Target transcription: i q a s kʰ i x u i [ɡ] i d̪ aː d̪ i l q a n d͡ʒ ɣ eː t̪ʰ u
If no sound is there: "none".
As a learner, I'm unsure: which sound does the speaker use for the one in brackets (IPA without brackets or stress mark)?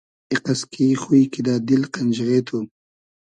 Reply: k